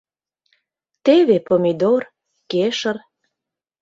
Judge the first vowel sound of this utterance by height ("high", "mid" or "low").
mid